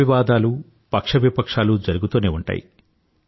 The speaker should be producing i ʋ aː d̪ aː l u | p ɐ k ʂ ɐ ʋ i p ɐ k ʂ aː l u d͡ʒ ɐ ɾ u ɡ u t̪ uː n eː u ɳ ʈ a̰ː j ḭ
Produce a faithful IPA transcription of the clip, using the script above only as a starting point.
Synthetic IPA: i ʋ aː d̪ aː l u | p ɐ k ʂ ɐ ʋ i p ɐ k ʂ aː l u d͡ʒ ɐ ɾ u ɡ u t̪ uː n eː u ɳ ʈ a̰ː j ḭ